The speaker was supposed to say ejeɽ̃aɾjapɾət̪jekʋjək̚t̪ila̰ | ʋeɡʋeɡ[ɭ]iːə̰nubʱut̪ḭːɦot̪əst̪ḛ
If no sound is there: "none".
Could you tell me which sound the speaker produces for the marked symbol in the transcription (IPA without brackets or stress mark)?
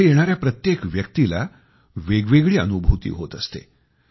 ɭ